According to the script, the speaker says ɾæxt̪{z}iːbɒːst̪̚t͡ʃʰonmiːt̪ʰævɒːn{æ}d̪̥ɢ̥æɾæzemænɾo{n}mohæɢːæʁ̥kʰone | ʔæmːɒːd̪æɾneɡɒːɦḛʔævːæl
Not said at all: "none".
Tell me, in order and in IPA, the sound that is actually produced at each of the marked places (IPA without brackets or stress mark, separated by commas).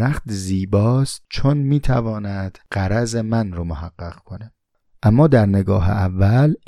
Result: z, æ, none